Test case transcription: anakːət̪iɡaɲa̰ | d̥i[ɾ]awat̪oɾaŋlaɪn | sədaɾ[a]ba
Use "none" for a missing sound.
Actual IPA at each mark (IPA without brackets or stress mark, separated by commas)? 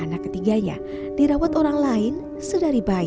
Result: ɾ, i